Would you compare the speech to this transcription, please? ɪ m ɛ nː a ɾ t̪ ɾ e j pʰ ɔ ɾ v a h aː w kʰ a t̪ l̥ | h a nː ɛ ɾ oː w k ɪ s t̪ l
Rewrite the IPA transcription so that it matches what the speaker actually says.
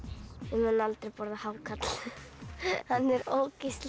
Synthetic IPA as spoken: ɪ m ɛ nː a l t̪ ɾ e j p ɔ ɾ ð a h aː w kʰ a t̪ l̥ | h a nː ɛ ɾ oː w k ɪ s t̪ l